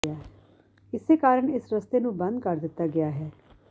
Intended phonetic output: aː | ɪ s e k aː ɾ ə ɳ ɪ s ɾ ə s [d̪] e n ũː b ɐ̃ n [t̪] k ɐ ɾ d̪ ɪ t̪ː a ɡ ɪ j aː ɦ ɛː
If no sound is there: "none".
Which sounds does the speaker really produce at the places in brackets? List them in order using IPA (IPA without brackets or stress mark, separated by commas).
t̪, d̪